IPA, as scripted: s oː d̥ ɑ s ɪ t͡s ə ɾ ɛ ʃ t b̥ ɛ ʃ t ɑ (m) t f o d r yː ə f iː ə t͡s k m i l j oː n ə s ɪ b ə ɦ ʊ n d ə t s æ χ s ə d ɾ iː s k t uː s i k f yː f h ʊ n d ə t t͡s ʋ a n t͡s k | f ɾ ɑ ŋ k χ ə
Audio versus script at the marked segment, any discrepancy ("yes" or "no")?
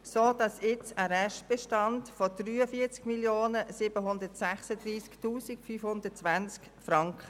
yes